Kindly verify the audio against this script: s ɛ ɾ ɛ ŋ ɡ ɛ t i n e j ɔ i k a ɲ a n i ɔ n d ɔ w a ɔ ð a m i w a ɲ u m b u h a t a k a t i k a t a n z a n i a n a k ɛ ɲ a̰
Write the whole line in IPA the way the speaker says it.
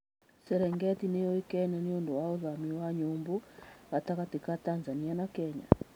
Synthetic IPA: s ɛ ɾ ɛ ŋ ɡ ɛ t i n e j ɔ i k ɛ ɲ a n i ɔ n d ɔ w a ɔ ð a m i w a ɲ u m b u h a t a k a t i k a t a n z a n i a n a k ɛ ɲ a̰